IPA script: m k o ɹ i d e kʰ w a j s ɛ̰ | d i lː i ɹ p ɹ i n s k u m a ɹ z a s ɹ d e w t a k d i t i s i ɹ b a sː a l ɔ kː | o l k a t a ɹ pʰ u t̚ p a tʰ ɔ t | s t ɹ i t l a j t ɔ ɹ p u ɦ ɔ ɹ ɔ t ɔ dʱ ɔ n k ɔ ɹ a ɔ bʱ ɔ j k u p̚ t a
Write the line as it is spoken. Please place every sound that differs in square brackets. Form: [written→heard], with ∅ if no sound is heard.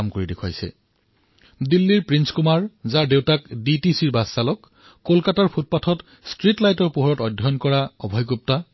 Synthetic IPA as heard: m k o ɹ i d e kʰ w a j s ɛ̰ | d i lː i ɹ p ɹ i n s k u m a ɹ z a [s→∅] ɹ d e w t a k d i t i s i ɹ b a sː a l ɔ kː | o l k a t a ɹ pʰ u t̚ p a tʰ ɔ t | s t ɹ i t l a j t ɔ ɹ p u ɦ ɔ ɹ ɔ t ɔ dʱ ɔ n k ɔ ɹ a ɔ bʱ ɔ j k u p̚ t a